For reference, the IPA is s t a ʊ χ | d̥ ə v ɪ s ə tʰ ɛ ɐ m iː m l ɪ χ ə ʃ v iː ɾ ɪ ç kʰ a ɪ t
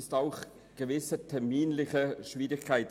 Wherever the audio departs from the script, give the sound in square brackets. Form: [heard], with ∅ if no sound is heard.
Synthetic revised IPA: s t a ʊ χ | [ɡ̥] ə v ɪ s ə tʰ ɛ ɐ m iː [n] l ɪ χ ə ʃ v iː ɾ ɪ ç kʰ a ɪ t

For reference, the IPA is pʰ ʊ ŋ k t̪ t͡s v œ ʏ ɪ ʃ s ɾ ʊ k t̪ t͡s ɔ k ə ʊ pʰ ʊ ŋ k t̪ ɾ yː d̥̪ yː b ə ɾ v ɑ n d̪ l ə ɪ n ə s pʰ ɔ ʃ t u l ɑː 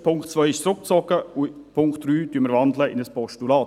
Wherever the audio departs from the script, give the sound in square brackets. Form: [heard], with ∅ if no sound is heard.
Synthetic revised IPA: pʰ ʊ ŋ k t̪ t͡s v œ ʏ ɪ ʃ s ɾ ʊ k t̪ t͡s ɔ k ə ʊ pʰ ʊ ŋ k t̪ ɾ yː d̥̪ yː [m] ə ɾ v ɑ n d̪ l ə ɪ n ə s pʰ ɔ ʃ t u l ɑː

